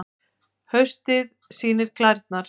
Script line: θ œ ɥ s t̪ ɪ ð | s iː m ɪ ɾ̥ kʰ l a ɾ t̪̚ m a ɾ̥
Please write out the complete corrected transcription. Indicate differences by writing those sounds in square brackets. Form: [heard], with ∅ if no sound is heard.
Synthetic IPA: [h] œ ɥ s t̪ ɪ ð | s iː [n] ɪ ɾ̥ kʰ l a ɾ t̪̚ [n] a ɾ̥